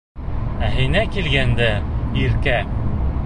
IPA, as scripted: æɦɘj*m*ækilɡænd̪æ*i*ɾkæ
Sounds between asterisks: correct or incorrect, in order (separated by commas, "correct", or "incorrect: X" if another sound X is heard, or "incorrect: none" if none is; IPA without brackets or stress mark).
incorrect: n, correct